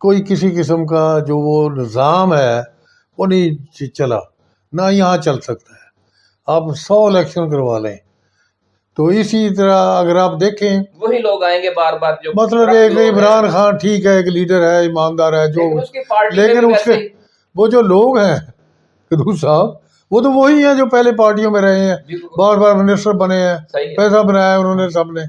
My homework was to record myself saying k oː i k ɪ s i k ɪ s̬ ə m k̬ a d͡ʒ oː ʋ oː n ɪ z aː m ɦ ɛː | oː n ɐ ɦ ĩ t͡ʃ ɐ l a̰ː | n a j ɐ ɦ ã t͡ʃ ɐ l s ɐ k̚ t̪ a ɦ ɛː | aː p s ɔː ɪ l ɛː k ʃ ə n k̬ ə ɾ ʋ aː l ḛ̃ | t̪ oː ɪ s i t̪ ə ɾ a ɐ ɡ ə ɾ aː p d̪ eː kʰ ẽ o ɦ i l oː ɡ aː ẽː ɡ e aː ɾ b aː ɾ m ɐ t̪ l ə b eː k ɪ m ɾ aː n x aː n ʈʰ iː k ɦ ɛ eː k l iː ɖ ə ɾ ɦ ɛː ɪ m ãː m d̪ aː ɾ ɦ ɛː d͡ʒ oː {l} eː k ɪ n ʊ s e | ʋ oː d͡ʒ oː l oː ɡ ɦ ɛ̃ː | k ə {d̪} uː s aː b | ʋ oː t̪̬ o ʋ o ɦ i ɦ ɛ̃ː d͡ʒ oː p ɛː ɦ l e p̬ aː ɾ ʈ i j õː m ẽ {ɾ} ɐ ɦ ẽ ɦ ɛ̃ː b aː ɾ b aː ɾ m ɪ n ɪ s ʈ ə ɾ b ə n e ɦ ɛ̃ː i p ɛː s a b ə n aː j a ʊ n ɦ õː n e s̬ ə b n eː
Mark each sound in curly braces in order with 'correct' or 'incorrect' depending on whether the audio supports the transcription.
correct, correct, correct

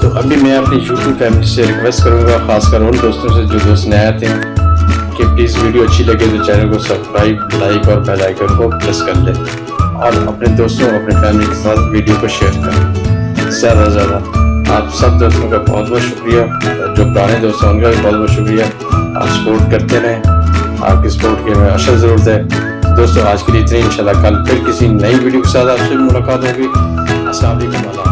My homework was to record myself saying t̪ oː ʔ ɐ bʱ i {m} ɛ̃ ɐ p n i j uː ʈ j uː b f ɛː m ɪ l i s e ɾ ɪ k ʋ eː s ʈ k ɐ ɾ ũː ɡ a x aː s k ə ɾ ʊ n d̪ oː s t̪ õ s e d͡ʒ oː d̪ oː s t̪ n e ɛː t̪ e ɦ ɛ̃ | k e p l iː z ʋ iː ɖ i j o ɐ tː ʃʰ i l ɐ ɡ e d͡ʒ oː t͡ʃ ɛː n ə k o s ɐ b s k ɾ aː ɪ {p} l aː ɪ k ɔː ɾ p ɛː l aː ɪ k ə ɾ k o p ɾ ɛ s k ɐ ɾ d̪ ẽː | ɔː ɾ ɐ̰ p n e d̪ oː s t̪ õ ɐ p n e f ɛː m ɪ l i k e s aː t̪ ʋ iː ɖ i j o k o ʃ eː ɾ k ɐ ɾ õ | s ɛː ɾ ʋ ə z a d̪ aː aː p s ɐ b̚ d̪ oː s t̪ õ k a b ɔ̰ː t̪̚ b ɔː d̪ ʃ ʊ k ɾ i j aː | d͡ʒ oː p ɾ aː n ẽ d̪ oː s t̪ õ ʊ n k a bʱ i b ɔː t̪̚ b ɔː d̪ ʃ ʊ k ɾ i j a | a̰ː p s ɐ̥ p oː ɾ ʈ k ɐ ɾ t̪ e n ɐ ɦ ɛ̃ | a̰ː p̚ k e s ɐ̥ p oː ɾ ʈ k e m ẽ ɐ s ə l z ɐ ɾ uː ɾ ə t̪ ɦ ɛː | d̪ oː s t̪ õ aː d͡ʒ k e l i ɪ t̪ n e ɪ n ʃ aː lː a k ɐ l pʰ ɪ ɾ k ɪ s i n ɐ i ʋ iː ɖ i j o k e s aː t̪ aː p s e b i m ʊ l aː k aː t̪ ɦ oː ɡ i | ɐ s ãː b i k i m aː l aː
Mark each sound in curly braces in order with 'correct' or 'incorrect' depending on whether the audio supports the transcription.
correct, incorrect: b

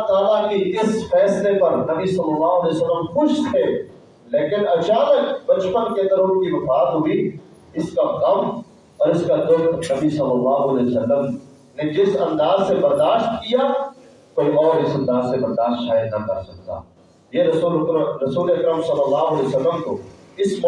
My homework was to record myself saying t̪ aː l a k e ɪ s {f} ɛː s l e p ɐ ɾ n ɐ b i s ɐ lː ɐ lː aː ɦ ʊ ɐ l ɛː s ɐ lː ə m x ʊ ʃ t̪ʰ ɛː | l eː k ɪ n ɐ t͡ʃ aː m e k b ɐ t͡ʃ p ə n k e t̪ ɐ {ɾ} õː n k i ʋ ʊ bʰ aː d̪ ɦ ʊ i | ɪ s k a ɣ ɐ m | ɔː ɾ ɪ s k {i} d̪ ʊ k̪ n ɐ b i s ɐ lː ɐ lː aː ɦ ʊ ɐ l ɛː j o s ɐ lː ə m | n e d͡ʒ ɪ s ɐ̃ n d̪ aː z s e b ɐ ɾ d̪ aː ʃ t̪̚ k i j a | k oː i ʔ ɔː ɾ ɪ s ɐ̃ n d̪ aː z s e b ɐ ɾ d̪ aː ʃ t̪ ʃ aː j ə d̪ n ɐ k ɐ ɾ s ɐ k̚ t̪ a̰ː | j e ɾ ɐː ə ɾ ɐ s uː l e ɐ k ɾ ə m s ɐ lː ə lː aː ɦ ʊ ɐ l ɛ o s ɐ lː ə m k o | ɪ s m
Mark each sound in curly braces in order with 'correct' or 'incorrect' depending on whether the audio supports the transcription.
correct, correct, incorrect: a

